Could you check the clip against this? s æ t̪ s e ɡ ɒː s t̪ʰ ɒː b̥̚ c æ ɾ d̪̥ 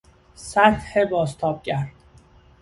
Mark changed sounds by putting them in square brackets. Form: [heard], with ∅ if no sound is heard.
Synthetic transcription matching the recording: s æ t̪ [h] e [b] ɒː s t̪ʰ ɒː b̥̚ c æ ɾ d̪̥